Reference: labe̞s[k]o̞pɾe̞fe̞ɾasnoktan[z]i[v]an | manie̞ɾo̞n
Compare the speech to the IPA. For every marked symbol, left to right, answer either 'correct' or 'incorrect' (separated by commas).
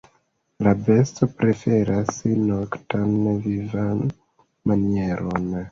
incorrect, incorrect, correct